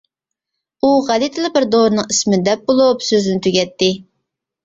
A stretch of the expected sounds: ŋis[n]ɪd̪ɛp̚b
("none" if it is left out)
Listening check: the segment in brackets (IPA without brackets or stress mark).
m